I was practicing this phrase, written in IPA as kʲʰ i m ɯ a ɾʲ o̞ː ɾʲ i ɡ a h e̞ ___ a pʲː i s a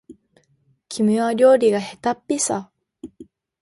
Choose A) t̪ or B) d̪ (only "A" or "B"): A